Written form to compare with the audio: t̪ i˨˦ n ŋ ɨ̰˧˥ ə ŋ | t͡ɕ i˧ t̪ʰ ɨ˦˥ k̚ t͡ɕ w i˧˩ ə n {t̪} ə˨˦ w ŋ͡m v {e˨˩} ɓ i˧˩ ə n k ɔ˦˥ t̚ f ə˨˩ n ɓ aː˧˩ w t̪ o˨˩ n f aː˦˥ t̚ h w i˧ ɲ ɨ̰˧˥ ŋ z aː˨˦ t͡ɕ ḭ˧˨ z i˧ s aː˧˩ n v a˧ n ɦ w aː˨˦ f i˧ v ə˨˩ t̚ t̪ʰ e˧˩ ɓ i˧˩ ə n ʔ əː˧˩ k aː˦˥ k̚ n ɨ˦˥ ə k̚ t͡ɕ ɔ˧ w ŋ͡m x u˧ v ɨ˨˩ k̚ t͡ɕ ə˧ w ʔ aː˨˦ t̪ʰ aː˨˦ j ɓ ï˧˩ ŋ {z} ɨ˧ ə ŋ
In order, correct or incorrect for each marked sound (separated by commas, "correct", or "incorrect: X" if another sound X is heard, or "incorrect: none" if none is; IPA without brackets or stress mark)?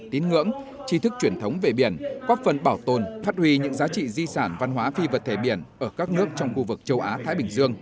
incorrect: t̪ʰ, correct, correct